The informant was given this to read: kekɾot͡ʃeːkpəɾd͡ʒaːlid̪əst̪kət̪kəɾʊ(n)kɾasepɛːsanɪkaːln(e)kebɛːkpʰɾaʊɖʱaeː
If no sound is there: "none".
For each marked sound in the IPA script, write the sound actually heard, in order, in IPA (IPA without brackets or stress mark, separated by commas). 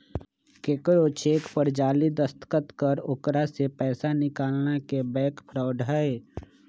none, a